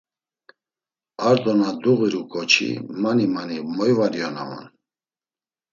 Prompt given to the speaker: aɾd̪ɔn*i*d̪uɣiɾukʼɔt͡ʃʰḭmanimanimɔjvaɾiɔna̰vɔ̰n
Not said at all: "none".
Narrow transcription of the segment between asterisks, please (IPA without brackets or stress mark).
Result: a